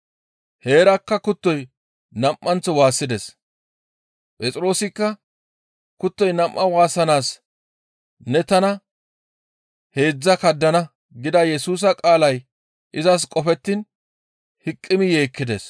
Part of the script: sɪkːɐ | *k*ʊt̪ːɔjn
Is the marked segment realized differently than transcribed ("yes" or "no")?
no